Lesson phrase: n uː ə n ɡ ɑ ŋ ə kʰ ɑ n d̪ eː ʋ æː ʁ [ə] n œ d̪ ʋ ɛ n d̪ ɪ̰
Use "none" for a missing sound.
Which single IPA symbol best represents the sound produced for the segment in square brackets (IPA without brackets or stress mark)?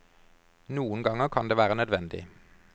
ə